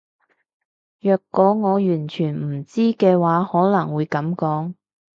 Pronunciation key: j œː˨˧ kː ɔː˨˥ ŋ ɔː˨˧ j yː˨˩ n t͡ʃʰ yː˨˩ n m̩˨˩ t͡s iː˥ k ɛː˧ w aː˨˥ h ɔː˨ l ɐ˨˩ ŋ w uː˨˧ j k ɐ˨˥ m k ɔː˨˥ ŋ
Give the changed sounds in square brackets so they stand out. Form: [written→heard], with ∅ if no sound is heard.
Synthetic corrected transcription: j œː˨˧ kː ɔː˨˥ ŋ ɔː˨˧ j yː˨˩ n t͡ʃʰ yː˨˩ n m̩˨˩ t͡s iː˥ k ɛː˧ w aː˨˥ h [ɔː˨→ɔː˨˥] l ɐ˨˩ ŋ w uː˨˧ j k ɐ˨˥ m k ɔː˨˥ ŋ